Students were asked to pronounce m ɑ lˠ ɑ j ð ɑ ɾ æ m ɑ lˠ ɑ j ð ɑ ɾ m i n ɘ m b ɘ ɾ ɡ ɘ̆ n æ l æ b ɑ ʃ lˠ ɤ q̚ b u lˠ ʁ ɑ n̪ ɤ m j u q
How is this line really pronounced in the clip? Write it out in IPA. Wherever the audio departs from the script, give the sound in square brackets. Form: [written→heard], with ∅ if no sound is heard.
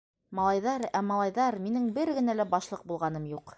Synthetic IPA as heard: m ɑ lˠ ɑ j ð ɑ ɾ æ m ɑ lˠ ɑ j ð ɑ ɾ m i n ɘ [m→ŋ] b ɘ ɾ ɡ ɘ̆ n æ l æ b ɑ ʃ lˠ ɤ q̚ b u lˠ ʁ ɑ n̪ ɤ m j u q